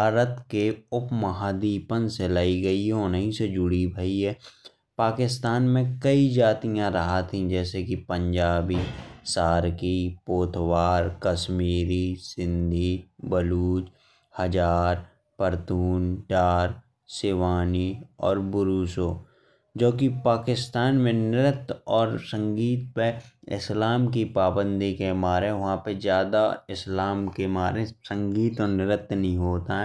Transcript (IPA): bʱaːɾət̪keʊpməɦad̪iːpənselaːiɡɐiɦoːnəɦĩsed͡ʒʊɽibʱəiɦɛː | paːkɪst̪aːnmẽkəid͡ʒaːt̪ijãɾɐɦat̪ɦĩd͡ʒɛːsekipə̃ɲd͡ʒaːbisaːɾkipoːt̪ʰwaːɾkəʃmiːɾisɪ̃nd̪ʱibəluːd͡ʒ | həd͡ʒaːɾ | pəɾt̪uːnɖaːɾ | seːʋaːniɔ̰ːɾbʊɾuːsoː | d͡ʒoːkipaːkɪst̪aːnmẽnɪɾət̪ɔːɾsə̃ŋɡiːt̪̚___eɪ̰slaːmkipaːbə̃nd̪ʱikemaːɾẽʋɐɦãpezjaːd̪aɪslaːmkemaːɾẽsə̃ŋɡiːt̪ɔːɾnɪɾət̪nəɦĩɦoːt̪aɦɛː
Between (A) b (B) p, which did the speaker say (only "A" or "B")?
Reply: B